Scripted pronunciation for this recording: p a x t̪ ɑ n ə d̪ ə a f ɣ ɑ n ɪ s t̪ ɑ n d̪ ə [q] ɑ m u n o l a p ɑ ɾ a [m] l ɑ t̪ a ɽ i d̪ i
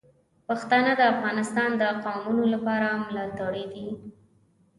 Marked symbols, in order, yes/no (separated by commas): yes, yes